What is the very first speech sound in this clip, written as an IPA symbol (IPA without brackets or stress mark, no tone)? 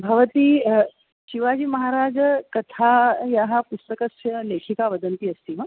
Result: bʱ